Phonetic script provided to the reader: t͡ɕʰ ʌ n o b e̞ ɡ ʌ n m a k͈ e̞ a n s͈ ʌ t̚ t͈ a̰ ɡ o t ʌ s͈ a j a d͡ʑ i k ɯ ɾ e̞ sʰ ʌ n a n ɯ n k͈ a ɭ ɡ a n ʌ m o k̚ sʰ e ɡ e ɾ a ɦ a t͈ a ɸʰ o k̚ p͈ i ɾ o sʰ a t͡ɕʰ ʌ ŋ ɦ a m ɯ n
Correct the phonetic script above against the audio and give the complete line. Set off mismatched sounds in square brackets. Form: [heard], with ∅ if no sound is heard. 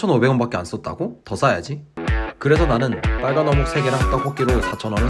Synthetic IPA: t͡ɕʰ ʌ n o b e̞ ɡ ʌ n [b] a k͈ e̞ a n s͈ ʌ t̚ t͈ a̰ ɡ o t ʌ s͈ a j a d͡ʑ i k ɯ ɾ e̞ sʰ ʌ n a n ɯ n [p͈] a ɭ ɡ a n ʌ m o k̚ sʰ e ɡ e ɾ a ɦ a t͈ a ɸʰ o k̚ [k͈] i ɾ o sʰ a t͡ɕʰ ʌ [n] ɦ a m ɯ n